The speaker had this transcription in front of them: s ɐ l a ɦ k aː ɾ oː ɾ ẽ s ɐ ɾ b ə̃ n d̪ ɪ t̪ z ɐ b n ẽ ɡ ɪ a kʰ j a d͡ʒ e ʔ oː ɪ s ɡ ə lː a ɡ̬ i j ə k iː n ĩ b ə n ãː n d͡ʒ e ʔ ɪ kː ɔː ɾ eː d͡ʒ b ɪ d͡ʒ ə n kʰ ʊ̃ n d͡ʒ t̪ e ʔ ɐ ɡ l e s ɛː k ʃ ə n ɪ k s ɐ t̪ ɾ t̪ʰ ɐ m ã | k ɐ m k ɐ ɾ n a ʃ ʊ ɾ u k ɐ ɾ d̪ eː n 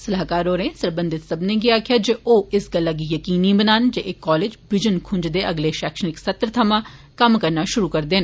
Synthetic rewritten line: s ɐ l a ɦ k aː ɾ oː ɾ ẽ s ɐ ɾ b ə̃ n d̪ ɪ t̪ s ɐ b n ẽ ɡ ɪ a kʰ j a d͡ʒ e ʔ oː ɪ s ɡ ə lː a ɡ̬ i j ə k iː n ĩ b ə n aː n d͡ʒ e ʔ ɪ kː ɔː l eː d͡ʒ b ɪ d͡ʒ ə n kʰ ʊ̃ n d͡ʒ d̪ e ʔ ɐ ɡ l e ʃ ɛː k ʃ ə n ɪ k s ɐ t̪ ɾ t̪ʰ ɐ m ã | k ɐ m k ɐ ɾ n a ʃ ʊ ɾ u k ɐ ɾ d̪ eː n

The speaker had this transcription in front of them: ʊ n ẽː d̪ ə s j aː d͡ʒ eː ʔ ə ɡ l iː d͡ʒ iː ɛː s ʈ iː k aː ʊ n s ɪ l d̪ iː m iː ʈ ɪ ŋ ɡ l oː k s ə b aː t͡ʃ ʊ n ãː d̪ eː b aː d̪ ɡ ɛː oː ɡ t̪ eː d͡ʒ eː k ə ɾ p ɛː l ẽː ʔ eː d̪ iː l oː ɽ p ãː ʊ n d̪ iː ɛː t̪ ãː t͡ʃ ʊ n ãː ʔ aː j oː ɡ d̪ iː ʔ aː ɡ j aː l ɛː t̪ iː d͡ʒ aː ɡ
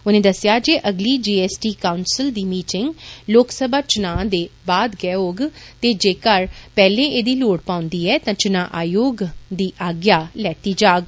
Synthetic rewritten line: ʊ n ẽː d̪ ə s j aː d͡ʒ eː ʔ ə ɡ l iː d͡ʒ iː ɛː s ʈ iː k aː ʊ n s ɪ l d̪ iː m iː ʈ ɪ ŋ ɡ l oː k s ə b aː t͡ʃ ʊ n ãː d̪ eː b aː d̪ ɡ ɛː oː ɡ t̪ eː d͡ʒ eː k ə ɾ p ɛː l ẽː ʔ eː d̪ iː l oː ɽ p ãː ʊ n d̪ iː ɛː t̪ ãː t͡ʃ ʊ n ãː ʔ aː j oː ɡ d̪ iː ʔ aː ɡ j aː l ɛː t̪ iː d͡ʒ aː ɡ

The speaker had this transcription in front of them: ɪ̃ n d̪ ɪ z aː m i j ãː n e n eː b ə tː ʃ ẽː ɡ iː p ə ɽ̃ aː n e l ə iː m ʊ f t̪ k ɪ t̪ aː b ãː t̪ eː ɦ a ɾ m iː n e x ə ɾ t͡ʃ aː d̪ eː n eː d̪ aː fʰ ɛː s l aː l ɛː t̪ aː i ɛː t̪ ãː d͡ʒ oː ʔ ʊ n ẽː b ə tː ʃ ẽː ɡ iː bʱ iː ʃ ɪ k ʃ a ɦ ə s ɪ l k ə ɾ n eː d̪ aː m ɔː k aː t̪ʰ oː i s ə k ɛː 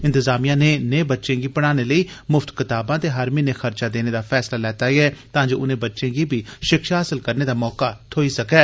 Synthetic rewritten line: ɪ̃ n t̪ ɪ z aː m i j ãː n e n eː b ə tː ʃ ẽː ɡ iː p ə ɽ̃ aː n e l ə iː m ʊ f t̪ k ɪ t̪ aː b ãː t̪ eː ɦ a ɾ m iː n e x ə ɾ t͡ʃ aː d̪ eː n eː d̪ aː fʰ ɛː s l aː l ɛː t̪ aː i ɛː t̪ ãː d͡ʒ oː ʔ ʊ n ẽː b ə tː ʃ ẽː ɡ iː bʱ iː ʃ ɪ k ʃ a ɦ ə s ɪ l k ə ɾ n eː d̪ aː m ɔː k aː t̪ʰ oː i s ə k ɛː

